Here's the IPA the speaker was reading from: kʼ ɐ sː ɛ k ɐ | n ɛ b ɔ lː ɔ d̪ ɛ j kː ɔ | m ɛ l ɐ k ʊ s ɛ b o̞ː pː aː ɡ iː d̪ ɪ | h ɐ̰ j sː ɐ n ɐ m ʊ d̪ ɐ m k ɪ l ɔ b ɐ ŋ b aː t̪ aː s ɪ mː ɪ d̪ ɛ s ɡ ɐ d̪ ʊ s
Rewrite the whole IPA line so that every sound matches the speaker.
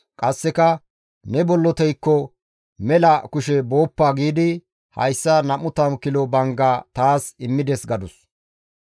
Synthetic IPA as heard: kʼ ɐ sː ɛ k ɐ | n ɛ b ɔ lː ɔ t̪ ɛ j kː ɔ | m ɛ l ɐ k ʊ ʃ ɛ b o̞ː pː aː ɡ iː d̪ ɪ | h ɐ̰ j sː ɐ n ɐ m ʊ t̪ ɐ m k ɪ l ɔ b ɐ ŋ ɡ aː t̪ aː s ɪ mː ɪ d̪ ɛ s ɡ ɐ d̪ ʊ s